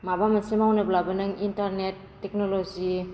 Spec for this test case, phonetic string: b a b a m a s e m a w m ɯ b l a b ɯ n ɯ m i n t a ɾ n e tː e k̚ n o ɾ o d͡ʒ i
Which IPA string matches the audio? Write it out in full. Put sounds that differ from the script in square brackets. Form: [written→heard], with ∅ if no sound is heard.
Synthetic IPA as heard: [b→m] a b a m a s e m a w [m→n] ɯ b l a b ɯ n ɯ [m→ŋ] i n t a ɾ n e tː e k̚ n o [ɾ→l] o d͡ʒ i

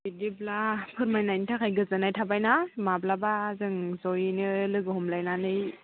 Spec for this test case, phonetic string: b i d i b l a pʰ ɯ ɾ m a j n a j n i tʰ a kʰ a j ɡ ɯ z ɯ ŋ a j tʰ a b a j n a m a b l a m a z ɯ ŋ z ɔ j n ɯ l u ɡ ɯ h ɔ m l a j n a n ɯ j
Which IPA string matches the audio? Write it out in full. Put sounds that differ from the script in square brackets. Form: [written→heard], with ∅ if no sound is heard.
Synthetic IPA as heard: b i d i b l a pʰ ɯ ɾ m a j n a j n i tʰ a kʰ a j ɡ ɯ z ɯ [ŋ→n] a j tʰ a b a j n a m a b l a [m→b] a z ɯ ŋ z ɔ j n ɯ l [u→ɯ] ɡ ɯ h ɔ m l a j n a n ɯ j

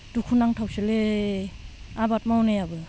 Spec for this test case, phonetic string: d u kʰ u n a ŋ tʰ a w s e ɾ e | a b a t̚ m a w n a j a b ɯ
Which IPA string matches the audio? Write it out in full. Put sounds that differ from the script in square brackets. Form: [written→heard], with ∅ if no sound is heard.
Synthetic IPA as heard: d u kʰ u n a ŋ tʰ a w s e [ɾ→l] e | a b a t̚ m a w n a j a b ɯ

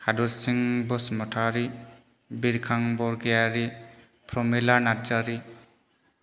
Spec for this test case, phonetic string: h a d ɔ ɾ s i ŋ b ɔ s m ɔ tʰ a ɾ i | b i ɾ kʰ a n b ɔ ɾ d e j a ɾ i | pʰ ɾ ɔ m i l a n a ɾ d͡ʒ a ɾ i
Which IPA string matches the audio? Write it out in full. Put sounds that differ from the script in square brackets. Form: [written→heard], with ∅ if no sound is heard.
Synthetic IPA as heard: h a d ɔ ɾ s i ŋ b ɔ s m ɔ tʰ a ɾ i | b i ɾ kʰ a [n→ŋ] b ɔ ɾ [d→ɡ] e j a ɾ i | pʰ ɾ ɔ m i l a n a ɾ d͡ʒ a ɾ i

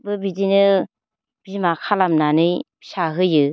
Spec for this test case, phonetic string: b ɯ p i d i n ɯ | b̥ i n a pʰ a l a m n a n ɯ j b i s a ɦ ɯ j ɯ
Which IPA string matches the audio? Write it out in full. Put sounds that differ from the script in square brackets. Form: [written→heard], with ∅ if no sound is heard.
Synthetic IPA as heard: b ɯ [p→b] i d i n ɯ | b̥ i [n→m] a [pʰ→kʰ] a l a m n a n ɯ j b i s a ɦ ɯ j ɯ

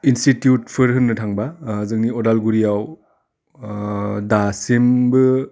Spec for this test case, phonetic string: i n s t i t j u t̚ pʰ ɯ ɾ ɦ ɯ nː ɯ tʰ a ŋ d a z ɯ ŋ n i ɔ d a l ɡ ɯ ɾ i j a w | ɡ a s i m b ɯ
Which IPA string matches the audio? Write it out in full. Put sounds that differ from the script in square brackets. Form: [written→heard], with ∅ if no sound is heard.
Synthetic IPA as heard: i n s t i t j u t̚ pʰ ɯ ɾ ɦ ɯ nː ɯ tʰ a ŋ [d→b] a z ɯ ŋ n i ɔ d a l ɡ [ɯ→u] ɾ i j a w | [ɡ→d] a s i m b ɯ

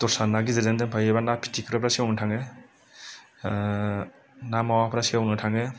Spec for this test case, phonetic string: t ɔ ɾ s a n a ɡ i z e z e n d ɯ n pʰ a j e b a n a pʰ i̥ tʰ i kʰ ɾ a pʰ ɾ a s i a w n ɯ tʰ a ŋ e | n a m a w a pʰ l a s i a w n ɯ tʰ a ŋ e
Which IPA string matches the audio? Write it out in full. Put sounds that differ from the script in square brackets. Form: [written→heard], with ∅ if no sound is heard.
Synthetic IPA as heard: t ɔ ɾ s a n a ɡ i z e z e n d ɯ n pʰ a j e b a n a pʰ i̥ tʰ i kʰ ɾ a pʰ ɾ a s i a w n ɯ tʰ a ŋ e | n a m a w a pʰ [l→ɾ] a s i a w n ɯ tʰ a ŋ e

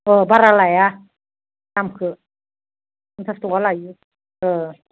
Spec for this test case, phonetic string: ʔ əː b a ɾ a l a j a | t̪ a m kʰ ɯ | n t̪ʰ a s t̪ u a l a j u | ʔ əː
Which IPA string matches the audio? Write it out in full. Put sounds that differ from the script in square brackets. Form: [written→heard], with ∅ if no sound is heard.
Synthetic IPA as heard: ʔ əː b a ɾ a l a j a | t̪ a m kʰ ɯ | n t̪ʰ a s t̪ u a l a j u | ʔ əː

